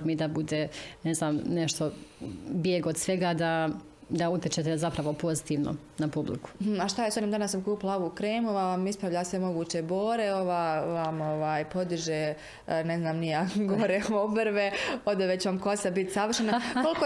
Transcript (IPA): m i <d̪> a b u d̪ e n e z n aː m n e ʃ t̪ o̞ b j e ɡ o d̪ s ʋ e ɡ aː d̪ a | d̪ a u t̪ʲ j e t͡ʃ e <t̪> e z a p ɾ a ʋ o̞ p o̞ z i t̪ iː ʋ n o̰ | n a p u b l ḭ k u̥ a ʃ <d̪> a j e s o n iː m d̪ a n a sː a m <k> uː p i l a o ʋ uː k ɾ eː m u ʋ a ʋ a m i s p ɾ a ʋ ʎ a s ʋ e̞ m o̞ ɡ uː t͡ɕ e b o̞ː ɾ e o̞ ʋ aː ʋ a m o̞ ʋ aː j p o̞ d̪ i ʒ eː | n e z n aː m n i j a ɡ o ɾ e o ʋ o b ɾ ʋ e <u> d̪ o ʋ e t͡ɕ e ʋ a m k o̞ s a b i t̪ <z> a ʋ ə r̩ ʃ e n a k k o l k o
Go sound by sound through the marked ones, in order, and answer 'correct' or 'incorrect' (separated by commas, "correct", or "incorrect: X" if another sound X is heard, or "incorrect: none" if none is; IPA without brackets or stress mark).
correct, correct, incorrect: t̪, correct, incorrect: o, incorrect: s